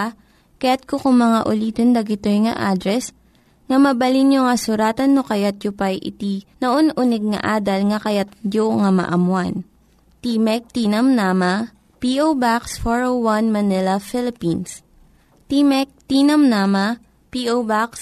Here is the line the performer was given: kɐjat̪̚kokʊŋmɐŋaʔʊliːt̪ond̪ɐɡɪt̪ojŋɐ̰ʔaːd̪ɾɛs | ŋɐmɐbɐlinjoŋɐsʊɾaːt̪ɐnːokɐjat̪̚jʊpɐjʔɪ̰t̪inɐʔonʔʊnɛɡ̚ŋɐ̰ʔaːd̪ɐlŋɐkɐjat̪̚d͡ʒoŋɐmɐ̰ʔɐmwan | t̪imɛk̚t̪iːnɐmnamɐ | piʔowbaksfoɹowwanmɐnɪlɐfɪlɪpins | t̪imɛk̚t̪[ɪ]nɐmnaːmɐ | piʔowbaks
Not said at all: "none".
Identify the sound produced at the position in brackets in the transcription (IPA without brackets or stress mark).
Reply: i